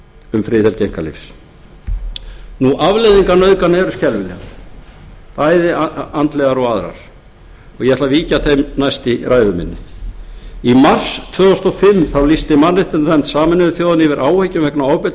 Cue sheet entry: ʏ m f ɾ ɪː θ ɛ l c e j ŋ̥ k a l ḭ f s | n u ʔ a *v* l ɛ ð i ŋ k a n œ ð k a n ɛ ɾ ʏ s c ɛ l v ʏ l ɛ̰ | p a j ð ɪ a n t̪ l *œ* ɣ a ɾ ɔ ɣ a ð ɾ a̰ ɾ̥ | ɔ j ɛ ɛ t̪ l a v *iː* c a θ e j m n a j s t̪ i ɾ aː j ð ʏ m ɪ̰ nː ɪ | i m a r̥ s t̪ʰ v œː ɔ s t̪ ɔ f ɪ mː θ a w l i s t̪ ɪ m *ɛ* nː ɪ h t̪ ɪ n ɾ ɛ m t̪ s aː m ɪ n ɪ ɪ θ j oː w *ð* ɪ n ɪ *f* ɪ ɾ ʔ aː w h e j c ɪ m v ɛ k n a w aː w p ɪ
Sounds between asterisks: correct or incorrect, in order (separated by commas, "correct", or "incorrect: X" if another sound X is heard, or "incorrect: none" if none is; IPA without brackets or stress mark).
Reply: correct, incorrect: ɛ, correct, incorrect: a, correct, incorrect: v